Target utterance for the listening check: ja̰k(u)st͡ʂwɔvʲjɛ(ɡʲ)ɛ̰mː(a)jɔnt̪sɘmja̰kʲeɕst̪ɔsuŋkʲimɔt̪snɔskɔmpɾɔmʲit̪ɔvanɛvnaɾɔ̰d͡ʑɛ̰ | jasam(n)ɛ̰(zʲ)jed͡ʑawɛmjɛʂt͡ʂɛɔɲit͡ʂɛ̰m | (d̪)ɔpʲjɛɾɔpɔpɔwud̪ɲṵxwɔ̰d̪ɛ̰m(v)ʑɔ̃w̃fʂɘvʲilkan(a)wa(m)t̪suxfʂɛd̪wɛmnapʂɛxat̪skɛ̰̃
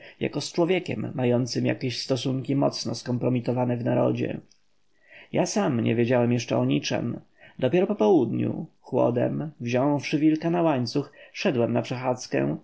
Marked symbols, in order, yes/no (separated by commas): no, no, yes, no, no, yes, yes, yes, no